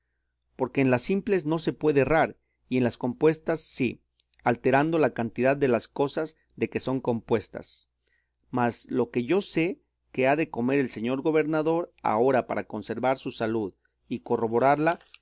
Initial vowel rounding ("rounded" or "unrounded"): rounded